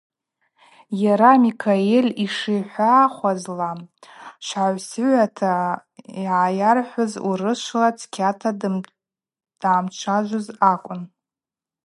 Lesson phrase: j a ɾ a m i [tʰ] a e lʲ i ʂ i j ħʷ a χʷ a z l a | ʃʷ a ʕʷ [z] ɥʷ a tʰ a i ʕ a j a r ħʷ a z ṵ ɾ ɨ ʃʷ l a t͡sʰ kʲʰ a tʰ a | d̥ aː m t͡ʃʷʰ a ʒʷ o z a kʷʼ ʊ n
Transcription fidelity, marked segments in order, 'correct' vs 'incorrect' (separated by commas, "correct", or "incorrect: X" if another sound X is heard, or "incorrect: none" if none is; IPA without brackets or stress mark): incorrect: kʰ, incorrect: s